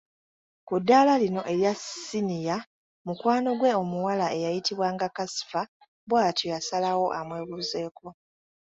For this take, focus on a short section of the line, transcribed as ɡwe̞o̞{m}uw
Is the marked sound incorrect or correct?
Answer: correct